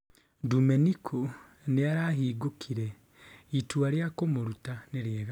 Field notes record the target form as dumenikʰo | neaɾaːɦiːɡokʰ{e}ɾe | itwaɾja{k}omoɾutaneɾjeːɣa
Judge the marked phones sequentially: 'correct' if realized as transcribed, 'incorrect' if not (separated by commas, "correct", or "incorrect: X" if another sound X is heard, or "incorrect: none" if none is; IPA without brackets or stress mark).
incorrect: i, correct